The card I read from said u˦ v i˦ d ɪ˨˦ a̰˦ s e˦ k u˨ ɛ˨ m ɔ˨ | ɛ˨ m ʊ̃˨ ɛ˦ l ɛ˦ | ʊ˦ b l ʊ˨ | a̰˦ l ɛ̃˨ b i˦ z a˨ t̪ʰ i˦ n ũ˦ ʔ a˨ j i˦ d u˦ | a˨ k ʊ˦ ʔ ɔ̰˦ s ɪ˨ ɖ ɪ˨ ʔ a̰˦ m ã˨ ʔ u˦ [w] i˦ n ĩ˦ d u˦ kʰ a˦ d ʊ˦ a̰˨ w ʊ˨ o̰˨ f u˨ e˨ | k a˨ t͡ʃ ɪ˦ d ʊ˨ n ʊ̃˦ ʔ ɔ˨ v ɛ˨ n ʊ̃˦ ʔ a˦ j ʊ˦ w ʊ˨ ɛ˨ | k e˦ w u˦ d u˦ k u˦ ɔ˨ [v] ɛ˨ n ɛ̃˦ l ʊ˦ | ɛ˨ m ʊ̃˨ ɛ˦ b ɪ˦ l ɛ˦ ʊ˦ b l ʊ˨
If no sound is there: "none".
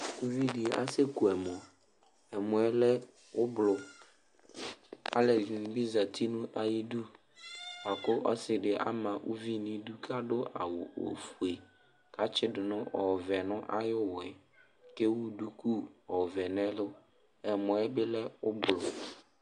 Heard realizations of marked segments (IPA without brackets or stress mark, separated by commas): v, v